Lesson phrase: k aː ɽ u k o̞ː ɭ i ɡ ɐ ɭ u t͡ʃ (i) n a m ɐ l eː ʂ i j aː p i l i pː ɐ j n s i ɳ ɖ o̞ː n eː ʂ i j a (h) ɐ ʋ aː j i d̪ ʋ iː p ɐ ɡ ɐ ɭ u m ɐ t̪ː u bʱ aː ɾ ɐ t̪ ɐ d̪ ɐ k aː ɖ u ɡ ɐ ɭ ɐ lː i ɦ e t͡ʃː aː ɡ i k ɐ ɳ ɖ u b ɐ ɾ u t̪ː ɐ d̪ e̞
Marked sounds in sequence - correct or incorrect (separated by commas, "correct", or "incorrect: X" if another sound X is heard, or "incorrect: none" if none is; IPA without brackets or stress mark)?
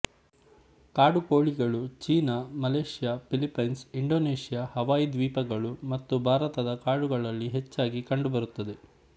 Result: incorrect: iː, correct